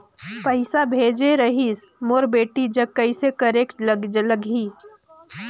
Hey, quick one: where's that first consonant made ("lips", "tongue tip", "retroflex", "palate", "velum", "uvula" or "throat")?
lips